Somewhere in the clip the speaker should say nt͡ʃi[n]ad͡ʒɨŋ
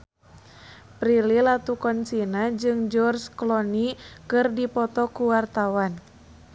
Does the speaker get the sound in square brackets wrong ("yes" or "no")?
no